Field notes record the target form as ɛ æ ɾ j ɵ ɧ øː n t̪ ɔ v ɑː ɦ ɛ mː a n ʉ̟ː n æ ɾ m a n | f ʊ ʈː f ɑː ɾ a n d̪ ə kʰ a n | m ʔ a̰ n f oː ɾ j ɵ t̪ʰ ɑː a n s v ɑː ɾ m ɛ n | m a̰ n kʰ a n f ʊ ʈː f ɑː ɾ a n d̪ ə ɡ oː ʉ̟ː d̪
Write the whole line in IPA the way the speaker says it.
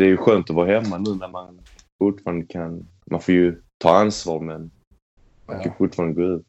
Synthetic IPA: ɛ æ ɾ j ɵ ɧ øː n t̪ ɔ v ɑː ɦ ɛ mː a n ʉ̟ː n æ ɾ m a n | f ʊ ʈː f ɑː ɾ a n d̪ ə kʰ a n | m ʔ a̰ n f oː ɾ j ɵ t̪ʰ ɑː a n s v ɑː ɾ m ɛ n | m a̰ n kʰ a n f ʊ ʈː f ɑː ɾ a n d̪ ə ɡ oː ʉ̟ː t̪